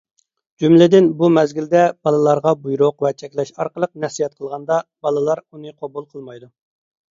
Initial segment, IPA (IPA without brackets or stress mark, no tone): d͡ʒ